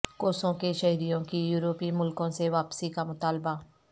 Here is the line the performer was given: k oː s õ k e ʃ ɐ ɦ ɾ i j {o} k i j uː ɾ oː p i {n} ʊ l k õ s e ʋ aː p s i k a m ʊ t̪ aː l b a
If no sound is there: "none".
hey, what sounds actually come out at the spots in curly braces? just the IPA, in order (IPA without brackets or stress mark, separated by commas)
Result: õ, m